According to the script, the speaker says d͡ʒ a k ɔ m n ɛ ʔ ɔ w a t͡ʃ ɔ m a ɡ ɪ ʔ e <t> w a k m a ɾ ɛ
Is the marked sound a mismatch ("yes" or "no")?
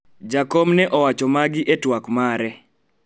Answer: no